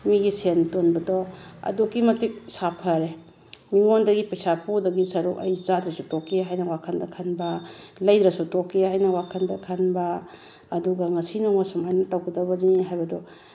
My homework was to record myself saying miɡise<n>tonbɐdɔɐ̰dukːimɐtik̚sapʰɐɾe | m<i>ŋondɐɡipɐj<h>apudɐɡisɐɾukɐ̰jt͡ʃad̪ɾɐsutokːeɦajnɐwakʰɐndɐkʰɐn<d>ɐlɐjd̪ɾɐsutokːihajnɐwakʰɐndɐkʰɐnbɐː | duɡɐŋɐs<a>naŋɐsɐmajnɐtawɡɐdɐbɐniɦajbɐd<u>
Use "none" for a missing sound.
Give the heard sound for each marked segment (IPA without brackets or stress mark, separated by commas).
n, i, s, b, i, ɔ